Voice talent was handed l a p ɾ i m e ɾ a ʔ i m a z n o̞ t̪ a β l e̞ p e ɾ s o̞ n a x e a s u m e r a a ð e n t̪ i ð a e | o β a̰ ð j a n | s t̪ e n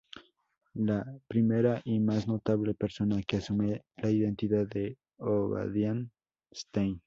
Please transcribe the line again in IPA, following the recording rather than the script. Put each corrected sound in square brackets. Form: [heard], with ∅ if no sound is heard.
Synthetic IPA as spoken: l a p ɾ i m e ɾ a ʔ i m a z n o̞ t̪ a β l e̞ p e ɾ s o̞ n a [k] e a s u m e [l] a [i] ð e n t̪ i ð a e | o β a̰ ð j a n | s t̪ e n

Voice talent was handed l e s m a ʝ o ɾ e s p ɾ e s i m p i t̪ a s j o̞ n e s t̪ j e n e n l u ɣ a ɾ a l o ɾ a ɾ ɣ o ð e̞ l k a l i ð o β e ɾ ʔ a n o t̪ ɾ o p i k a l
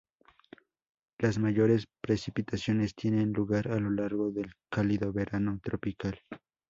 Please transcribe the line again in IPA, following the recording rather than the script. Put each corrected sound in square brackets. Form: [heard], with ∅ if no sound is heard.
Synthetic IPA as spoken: l [a] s m a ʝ o ɾ e s p ɾ e s i [∅] p i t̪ a s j o̞ n e s t̪ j e n e n l u ɣ a ɾ a l o [l] a ɾ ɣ o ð e̞ l k a l i ð o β e ɾ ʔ a n o t̪ ɾ o p i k a l

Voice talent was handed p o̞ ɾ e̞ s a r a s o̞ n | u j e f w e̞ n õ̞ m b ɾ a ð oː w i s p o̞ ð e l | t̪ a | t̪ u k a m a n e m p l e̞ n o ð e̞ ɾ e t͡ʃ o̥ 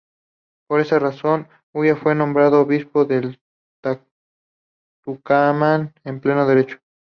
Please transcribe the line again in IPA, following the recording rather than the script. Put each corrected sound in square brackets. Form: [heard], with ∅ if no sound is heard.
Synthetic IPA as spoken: p o̞ ɾ e̞ s a r a s o̞ n | u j [a] f w e̞ n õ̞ m b ɾ a ð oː [β] i s p o̞ ð e l | t̪ a | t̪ u k a m a n e m p l e̞ n o ð e̞ ɾ e t͡ʃ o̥

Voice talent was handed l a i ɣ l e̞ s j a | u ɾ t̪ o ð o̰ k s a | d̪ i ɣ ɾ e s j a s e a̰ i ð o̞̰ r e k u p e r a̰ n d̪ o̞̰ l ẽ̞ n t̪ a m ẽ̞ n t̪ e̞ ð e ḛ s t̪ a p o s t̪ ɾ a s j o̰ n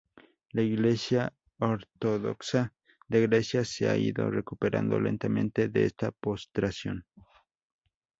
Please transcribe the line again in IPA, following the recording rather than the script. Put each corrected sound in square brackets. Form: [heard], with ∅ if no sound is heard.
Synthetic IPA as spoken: l a i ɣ l e̞ s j a | [o] ɾ t̪ o ð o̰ k s a | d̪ [e] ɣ ɾ e s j a s e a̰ i ð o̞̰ r e k u p e [ɾ] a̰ n d̪ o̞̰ l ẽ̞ n t̪ a m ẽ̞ n t̪ e̞ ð e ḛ s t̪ a p o s t̪ ɾ a s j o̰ n

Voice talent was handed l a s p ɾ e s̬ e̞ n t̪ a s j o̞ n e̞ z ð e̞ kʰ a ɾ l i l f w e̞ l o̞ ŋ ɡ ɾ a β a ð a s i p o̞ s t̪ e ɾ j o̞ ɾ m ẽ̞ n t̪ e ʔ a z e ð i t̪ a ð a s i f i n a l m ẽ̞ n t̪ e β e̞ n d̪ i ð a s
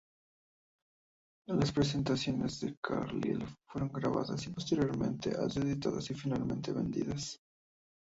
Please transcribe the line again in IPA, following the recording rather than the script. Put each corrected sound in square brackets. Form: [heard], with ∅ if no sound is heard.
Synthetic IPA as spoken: l a s p ɾ e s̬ e̞ n t̪ a s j o̞ n e̞ z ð e̞ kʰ a ɾ l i l f w e̞ [ɾ] o̞ ŋ ɡ ɾ a β a ð a s i p o̞ s t̪ e ɾ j o̞ ɾ m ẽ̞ n t̪ e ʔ a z e ð i t̪ a ð a s i f i n a l m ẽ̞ n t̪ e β e̞ n d̪ i ð a s

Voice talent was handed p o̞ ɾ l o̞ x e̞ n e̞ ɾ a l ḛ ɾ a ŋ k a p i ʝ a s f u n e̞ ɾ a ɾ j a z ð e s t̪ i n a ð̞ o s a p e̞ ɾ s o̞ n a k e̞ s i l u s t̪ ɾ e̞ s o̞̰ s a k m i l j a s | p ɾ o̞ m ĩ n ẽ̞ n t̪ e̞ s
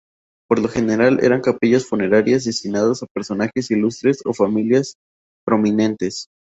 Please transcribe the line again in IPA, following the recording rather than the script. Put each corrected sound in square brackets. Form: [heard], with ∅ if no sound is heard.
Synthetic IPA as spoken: p o̞ ɾ l o̞ x e̞ n e̞ ɾ a l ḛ ɾ a ŋ k a p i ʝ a s f u n e̞ ɾ a ɾ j a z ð e s t̪ i n a ð̞ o s a p e̞ ɾ s o̞ n a [x] e̞ s i l u s t̪ ɾ e̞ s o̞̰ [f] a [∅] m i l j a s | p ɾ o̞ m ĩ n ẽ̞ n t̪ e̞ s

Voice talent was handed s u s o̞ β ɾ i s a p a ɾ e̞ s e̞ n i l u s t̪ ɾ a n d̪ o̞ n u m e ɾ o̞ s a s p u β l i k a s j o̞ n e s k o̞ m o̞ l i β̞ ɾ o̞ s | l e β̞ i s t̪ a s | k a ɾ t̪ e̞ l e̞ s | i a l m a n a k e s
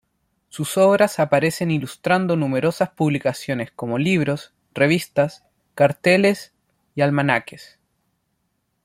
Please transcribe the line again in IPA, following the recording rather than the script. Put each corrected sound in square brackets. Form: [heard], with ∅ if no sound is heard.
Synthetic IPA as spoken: s u s o̞ β ɾ [a] s a p a ɾ e̞ s e̞ n i l u s t̪ ɾ a n d̪ o̞ n u m e ɾ o̞ s a s p u β l i k a s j o̞ n e s k o̞ m o̞ l i β̞ ɾ o̞ s | [r] e β̞ i s t̪ a s | k a ɾ t̪ e̞ l e̞ s | i a l m a n a k e s

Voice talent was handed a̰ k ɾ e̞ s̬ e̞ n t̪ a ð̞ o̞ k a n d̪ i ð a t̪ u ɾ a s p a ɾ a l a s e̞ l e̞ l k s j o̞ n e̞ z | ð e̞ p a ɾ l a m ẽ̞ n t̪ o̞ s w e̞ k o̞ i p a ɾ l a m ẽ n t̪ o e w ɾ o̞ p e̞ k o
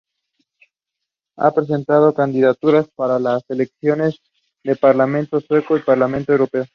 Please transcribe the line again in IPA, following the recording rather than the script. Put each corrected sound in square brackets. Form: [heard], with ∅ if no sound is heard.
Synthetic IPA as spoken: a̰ [p] ɾ e̞ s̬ e̞ n t̪ a ð̞ o̞ k a n d̪ i ð a t̪ u ɾ a s p a ɾ a l a s e̞ l e̞ [∅] k s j o̞ n e̞ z | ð e̞ p a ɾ l a m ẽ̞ n t̪ o̞ s w e̞ k o̞ i p a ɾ l a m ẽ n t̪ o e w ɾ o̞ p e̞ [∅] o

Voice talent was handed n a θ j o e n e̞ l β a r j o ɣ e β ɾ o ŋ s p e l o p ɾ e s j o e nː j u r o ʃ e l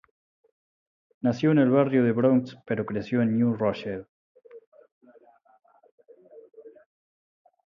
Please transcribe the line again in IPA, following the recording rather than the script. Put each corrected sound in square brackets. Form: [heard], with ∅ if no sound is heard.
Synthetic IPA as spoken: n a [s] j o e n e̞ l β a r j o [ð] e β ɾ o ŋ s p e [ɾ] o [k] ɾ e s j o e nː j u r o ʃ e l

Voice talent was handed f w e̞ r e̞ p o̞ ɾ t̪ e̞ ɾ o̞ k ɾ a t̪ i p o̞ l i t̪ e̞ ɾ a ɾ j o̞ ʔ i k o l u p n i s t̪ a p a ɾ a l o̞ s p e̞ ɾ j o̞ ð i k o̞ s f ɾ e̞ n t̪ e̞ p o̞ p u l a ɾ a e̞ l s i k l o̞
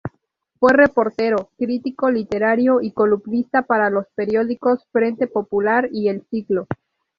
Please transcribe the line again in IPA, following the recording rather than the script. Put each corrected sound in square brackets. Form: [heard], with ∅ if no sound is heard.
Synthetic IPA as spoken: f w e̞ r e̞ p o̞ ɾ t̪ e̞ ɾ o̞ k ɾ [i] t̪ i [k] o̞ l i t̪ e̞ ɾ a ɾ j o̞ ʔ i k o l u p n i s t̪ a p a ɾ a l o̞ s p e̞ ɾ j o̞ ð i k o̞ s f ɾ e̞ n t̪ e̞ p o̞ p u l a ɾ [i] e̞ l s i k l o̞

